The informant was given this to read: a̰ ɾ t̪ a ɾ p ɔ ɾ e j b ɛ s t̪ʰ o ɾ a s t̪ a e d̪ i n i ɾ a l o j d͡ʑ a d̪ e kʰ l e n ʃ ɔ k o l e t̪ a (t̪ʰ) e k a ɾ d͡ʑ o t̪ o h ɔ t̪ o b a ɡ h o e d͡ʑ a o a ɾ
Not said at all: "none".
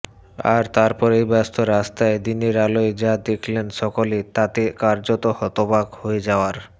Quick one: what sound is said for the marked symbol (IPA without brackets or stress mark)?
t̪